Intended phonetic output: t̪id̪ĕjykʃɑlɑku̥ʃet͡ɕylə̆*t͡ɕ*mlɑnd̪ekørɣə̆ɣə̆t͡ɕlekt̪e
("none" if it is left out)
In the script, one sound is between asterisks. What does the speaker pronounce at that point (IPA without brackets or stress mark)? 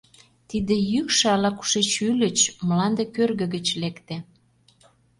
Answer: t͡ɕ